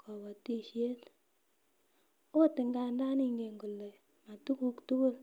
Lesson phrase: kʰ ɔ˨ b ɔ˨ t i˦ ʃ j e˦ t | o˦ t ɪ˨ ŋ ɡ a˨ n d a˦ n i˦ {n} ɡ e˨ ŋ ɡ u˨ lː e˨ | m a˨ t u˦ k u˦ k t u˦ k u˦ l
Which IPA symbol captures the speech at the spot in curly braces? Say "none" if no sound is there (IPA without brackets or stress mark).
ŋ